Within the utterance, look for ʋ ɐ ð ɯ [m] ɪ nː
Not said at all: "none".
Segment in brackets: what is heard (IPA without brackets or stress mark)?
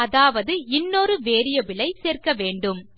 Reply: none